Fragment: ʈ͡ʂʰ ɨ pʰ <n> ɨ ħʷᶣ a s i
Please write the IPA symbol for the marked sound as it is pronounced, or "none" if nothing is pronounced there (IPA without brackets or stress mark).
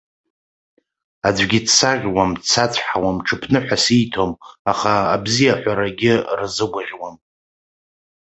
n